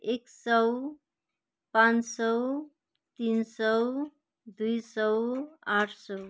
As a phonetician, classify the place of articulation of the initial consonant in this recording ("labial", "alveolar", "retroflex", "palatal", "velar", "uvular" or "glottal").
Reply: velar